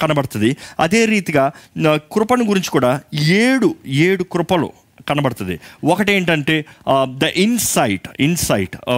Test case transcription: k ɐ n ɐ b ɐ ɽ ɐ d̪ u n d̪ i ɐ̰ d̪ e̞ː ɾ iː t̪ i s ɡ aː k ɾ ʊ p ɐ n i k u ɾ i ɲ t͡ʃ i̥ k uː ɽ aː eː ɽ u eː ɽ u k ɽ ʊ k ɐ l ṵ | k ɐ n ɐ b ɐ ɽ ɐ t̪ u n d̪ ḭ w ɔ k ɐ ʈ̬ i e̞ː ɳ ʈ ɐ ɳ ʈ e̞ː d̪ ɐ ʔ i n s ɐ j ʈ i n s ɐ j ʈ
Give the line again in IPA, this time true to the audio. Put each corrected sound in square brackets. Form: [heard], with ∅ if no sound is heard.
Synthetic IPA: k ɐ n ɐ b ɐ ɽ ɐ [t̪] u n d̪ i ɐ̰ d̪ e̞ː ɾ iː t̪ i [∅] ɡ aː k ɾ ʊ p ɐ n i [ɡ] u ɾ i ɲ t͡ʃ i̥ k uː ɽ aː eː ɽ u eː ɽ u k [ɾ] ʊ [p] ɐ l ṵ | k ɐ n ɐ b ɐ ɽ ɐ t̪ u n d̪ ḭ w ɔ k ɐ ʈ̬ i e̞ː ɳ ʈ ɐ ɳ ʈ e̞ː d̪ ɐ ʔ i n s ɐ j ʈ i n s ɐ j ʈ